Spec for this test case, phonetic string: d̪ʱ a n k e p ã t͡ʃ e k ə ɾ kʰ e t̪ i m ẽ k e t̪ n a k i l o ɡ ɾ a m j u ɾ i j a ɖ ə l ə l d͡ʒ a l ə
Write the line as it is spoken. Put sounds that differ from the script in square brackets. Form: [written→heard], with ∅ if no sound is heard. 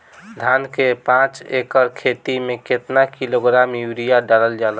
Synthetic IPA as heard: d̪ʱ a n k e p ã t͡ʃ e k ə ɾ kʰ e t̪ i m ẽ k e t̪ n a k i l o ɡ ɾ a m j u ɾ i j a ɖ [ə→a] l ə l d͡ʒ a l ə